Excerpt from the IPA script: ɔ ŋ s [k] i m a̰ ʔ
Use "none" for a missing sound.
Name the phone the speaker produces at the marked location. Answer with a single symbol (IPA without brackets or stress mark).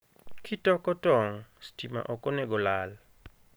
t